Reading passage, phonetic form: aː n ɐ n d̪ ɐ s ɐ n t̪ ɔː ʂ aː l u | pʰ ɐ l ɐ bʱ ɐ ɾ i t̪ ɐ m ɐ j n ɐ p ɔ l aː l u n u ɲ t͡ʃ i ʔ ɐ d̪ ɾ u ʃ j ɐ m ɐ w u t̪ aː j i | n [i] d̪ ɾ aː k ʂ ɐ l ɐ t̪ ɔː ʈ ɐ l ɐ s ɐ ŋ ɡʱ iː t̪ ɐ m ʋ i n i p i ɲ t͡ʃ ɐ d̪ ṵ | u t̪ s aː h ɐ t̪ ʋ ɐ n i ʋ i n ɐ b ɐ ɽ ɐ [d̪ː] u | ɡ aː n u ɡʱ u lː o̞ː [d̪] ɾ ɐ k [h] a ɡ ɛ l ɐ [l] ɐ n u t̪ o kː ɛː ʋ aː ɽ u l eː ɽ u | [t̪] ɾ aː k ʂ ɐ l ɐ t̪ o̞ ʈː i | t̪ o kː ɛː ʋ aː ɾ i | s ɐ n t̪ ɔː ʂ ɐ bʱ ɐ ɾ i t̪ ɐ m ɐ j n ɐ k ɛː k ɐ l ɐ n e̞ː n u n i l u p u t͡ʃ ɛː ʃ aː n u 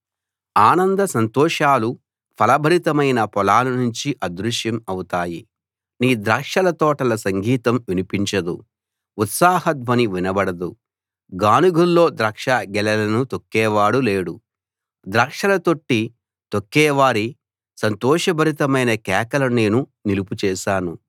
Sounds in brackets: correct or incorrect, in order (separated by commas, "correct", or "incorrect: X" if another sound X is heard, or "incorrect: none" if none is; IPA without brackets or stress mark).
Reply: incorrect: iː, incorrect: d̪, correct, incorrect: ʂ, correct, incorrect: d̪